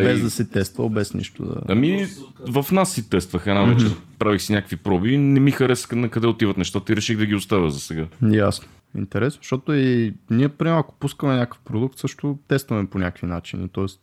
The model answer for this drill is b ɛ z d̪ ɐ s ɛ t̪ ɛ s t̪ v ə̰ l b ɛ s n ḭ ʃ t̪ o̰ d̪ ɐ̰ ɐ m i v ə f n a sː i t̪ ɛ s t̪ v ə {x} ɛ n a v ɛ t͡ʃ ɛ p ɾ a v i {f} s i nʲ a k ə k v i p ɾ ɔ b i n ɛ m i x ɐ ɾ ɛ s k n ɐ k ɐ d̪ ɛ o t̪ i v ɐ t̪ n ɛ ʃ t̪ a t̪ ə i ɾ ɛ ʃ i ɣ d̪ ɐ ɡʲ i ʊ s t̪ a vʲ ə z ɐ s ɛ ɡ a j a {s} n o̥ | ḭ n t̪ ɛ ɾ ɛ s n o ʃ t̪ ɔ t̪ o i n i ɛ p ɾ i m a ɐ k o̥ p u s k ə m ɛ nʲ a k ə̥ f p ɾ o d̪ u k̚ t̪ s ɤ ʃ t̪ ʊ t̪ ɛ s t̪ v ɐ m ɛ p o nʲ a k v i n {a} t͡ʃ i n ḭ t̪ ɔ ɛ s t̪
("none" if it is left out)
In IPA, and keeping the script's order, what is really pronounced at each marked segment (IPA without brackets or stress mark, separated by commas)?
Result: x, x, s, a